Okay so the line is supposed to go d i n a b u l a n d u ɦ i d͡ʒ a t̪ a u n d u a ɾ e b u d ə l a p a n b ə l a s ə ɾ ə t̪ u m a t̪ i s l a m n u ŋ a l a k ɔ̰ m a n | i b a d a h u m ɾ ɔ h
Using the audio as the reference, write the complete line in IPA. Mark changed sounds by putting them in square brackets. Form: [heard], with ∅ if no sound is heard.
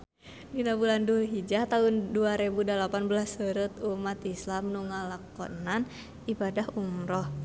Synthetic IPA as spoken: d i n a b u l a n d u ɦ i d͡ʒ a t̪ a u n d u a ɾ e b u d [a] l a p a n b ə l a s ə ɾ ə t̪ u m a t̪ i s l a m n u ŋ a l a k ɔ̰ [n] a n | i b a d a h u m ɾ ɔ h